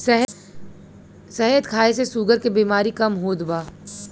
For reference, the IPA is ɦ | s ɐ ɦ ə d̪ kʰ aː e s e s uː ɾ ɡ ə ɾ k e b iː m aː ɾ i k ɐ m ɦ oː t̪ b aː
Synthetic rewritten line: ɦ | s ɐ ɦ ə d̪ kʰ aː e s e s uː ɡ ə ɾ k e b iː m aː ɾ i k ɐ m ɦ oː d̪ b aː